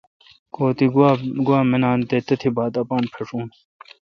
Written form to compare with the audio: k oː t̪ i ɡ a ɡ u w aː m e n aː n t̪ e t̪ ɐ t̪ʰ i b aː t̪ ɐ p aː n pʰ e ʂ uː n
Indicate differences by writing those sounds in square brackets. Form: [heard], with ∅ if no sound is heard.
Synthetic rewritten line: k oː t̪ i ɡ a ɡ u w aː m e n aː n t̪ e t̪ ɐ t̪ʰ i b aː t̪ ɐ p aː n pʰ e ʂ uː n